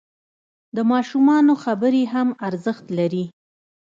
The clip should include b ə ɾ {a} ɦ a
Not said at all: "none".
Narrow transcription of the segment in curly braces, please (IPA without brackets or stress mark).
e